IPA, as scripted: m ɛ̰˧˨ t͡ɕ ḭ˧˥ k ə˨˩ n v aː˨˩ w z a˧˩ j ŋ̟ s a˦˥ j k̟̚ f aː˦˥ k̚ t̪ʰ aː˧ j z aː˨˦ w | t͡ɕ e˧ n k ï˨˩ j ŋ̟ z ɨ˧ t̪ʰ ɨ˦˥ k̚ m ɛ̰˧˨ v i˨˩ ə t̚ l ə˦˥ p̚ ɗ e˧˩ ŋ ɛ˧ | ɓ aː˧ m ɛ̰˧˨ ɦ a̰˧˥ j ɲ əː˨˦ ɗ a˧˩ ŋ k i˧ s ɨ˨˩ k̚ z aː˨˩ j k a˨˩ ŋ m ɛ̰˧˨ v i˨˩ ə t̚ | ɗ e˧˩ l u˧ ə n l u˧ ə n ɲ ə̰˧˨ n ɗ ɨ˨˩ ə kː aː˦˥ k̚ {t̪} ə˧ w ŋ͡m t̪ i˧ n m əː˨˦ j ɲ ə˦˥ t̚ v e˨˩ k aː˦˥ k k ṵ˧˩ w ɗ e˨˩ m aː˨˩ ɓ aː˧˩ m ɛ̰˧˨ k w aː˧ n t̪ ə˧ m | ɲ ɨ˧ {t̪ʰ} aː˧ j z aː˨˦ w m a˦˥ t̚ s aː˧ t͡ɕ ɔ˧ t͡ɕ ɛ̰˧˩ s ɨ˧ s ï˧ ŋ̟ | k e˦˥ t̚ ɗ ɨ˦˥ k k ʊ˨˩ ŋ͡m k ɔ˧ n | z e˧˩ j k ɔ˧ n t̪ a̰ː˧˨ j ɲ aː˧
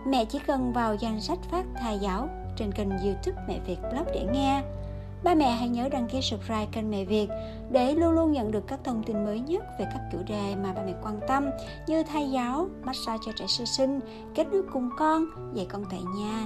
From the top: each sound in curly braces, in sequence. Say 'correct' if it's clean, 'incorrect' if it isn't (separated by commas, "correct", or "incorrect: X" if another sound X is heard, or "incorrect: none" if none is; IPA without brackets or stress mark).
incorrect: t̪ʰ, correct